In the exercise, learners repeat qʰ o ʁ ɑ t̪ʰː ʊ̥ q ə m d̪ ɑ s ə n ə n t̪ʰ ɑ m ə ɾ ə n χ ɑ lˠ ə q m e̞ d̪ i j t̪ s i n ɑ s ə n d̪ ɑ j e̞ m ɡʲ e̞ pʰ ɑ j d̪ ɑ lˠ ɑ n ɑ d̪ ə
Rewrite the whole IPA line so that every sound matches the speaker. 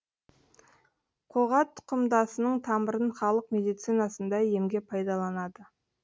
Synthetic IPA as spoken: qʰ o ʁ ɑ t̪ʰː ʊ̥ q ə m d̪ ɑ s ə n ə ɴ t̪ʰ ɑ m ə ɾ ə n χ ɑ lˠ ə q m e̞ d̪ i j t̪ s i n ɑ s ə n d̪ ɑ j e̞ m ɡʲ e̞ pʰ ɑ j d̪ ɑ lˠ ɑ n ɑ d̪ ə